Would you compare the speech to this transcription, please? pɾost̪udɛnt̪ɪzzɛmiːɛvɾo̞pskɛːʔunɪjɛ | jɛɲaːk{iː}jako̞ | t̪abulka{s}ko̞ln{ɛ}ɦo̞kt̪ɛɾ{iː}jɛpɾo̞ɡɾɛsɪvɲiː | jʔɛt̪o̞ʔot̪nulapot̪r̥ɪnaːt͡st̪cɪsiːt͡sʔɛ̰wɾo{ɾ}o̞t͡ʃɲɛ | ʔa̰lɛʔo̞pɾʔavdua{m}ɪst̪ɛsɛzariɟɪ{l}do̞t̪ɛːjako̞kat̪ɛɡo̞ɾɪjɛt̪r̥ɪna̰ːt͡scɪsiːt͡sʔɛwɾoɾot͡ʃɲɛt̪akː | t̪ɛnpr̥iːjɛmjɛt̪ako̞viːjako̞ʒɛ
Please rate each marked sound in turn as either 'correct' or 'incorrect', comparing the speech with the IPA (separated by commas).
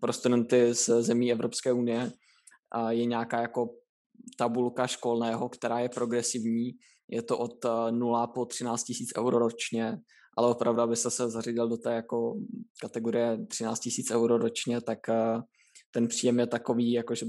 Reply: incorrect, incorrect, incorrect, incorrect, correct, incorrect, correct